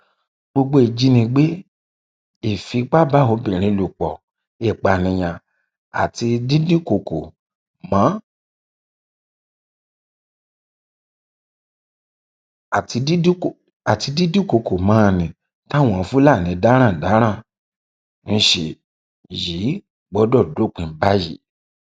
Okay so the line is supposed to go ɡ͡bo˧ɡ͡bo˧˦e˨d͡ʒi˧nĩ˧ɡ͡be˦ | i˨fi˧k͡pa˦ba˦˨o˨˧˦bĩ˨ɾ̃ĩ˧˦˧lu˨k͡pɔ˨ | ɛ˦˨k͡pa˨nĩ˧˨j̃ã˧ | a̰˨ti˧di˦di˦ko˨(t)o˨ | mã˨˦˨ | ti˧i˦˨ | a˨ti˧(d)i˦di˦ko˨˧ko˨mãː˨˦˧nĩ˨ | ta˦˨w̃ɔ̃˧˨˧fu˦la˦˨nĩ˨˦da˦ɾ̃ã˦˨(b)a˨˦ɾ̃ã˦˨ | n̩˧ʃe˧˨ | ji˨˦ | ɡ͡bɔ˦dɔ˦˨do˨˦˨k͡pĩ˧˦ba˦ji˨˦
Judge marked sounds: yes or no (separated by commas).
no, yes, no